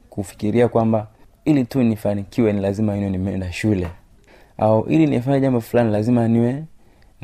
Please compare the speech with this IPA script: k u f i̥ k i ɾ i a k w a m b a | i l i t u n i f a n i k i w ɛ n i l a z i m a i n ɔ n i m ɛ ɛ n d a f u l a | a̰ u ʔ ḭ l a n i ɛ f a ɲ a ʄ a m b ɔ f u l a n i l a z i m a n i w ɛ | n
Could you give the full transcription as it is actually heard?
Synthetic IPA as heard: k u f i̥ k i ɾ i a k w a m b a | i l i t u n i f a n i k i w ɛ n i l a z i m a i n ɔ n i m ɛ ɛ n d a ʃ u l ɛ | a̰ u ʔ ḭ l i n i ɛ f a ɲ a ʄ a m b ɔ f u l a n i l a z i m a n i w ɛ | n